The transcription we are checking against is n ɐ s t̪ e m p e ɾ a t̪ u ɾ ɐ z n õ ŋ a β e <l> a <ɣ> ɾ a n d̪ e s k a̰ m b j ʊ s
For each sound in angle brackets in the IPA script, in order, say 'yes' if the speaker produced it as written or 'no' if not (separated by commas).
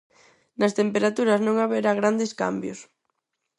no, yes